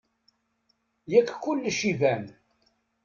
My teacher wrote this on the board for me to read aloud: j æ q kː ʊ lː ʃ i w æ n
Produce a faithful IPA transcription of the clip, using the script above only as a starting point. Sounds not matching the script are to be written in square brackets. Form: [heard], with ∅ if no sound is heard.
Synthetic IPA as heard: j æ [k] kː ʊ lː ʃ i [v] æ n